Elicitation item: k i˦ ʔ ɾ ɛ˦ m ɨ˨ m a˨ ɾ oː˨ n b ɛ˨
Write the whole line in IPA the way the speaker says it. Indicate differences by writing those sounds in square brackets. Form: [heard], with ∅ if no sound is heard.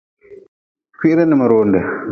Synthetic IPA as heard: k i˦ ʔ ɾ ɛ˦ [n] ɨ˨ m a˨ ɾ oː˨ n [d] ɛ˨